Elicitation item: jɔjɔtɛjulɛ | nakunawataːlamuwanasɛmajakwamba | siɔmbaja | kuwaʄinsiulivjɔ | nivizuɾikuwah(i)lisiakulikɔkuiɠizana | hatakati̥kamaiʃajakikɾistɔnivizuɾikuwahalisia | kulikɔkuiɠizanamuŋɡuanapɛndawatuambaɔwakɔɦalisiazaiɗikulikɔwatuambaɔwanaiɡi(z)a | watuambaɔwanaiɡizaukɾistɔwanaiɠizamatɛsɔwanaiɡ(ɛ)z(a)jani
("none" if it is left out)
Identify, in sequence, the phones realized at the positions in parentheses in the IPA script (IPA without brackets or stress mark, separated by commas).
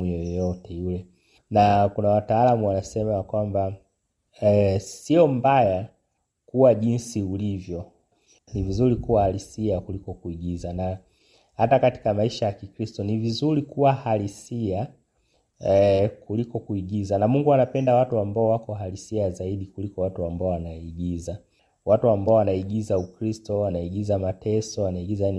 a, z, i, a